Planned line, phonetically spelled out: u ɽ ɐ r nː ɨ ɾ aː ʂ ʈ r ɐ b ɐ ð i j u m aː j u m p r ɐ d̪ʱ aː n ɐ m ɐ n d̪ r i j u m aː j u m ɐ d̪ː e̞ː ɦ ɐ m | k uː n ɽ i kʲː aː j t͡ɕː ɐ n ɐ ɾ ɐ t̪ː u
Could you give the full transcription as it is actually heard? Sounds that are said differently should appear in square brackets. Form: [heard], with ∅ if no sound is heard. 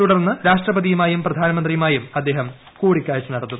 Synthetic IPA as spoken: u ɽ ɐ r nː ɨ ɾ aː ʂ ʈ r ɐ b ɐ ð i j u m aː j u m p r ɐ d̪ʱ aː n ɐ m ɐ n d̪ r i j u m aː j u m ɐ d̪ː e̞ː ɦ ɐ m | k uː [∅] ɽ i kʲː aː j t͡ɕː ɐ n ɐ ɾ ɐ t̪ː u